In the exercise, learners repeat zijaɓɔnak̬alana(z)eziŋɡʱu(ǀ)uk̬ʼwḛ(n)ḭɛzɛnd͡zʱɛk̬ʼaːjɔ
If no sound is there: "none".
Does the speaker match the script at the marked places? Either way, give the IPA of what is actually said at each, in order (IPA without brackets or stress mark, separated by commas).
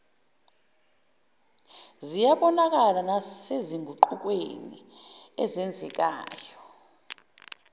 s, ǃ, n